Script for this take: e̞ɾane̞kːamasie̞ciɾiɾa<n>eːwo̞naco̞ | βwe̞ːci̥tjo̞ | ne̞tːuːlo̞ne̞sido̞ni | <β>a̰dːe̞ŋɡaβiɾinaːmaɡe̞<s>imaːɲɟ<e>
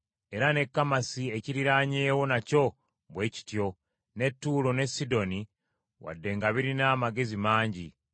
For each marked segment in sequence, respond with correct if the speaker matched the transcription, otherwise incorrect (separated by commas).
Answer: incorrect, incorrect, incorrect, incorrect